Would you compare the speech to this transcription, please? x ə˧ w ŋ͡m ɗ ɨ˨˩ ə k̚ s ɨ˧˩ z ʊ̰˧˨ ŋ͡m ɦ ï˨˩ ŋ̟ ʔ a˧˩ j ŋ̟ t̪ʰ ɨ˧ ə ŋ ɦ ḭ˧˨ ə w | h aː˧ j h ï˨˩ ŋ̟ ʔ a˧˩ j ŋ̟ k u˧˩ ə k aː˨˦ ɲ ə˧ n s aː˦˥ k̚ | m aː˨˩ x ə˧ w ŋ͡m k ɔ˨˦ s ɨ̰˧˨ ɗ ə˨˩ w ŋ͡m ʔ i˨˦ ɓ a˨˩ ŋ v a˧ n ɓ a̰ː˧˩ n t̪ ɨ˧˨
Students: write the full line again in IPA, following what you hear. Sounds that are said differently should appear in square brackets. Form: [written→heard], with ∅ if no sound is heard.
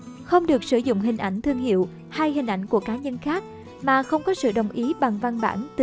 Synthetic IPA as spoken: x ə˧ w ŋ͡m ɗ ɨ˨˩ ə k̚ s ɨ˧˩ z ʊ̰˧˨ ŋ͡m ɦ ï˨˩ ŋ̟ ʔ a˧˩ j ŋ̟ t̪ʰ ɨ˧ ə ŋ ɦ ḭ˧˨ ə w | h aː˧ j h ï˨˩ ŋ̟ ʔ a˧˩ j ŋ̟ k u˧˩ ə k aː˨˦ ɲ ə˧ n [s→x] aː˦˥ k̚ | m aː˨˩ x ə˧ w ŋ͡m k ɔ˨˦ s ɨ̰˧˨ ɗ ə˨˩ w ŋ͡m ʔ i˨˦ ɓ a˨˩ ŋ v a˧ n ɓ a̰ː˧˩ n t̪ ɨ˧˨